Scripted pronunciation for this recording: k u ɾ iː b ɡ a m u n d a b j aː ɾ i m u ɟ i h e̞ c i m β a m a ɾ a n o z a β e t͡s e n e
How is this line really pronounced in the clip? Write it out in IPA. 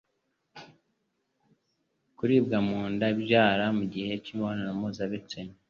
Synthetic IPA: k u ɾ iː b ɡ a m uː n d a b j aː ɾ a m u ɟ i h e̞ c i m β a n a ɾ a m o z a β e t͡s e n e